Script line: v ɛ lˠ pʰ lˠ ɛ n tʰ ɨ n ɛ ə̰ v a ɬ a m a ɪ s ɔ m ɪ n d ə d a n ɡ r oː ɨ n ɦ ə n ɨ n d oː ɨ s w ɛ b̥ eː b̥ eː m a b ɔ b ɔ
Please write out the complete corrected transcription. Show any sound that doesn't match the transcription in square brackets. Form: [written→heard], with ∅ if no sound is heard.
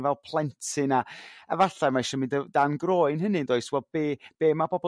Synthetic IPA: v ɛ lˠ pʰ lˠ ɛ n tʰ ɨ n [ɛ→a] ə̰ v a ɬ a m a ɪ [s→ʃ] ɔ m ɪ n d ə d a n ɡ r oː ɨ n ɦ ə n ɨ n d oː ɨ s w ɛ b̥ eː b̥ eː m a b ɔ b ɔ